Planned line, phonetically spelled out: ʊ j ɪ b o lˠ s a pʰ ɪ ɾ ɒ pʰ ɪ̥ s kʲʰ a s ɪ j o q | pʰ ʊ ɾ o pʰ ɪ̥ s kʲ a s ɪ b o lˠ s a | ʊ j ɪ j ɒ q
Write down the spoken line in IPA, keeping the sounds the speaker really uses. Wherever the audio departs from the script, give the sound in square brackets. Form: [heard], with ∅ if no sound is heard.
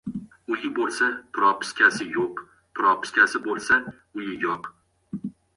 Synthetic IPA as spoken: ʊ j ɪ b o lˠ s a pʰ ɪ ɾ ɒ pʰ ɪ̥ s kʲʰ a s ɪ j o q | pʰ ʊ ɾ [ɒ] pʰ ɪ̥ s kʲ a s ɪ b o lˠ s a | ʊ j ɪ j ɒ q